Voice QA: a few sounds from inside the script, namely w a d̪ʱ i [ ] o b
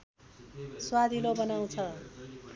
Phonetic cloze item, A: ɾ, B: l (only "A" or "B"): B